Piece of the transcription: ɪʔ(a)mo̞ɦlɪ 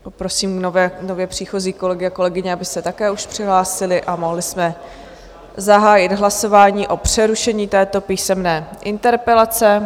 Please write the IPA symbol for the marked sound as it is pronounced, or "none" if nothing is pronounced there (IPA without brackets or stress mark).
a